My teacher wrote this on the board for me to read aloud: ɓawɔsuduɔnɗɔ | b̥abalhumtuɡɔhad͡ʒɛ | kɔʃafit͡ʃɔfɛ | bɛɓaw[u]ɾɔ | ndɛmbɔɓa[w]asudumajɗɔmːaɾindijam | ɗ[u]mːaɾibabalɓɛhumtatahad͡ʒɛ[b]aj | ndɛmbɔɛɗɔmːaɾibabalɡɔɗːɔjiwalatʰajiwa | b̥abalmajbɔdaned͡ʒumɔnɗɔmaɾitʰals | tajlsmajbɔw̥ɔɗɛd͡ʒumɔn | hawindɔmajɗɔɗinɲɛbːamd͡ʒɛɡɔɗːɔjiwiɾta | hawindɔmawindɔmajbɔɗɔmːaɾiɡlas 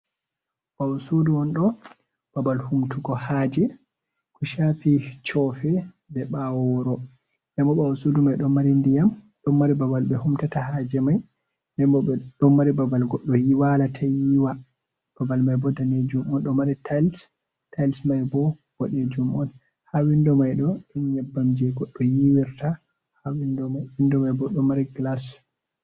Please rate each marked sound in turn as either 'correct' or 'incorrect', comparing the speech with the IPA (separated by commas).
incorrect, correct, incorrect, incorrect